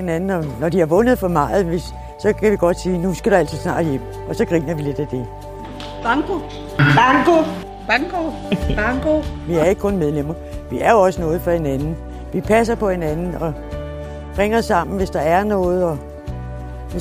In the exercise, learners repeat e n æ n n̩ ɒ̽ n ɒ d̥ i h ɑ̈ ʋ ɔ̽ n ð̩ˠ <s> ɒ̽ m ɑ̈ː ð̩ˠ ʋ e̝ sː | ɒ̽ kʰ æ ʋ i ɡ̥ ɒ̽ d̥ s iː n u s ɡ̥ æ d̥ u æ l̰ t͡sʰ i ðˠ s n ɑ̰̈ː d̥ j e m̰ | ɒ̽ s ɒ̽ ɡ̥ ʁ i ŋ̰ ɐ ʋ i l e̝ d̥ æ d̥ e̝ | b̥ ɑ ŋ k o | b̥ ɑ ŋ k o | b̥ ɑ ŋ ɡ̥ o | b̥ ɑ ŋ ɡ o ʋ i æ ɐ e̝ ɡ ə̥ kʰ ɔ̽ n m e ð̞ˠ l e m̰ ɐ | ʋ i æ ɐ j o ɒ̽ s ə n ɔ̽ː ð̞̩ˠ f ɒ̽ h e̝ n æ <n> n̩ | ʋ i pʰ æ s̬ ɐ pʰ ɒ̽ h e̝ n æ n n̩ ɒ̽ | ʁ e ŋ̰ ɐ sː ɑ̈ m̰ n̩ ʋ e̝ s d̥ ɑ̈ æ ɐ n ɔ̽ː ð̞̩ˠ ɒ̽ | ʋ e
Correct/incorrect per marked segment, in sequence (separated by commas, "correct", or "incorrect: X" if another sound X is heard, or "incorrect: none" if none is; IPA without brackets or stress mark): incorrect: f, correct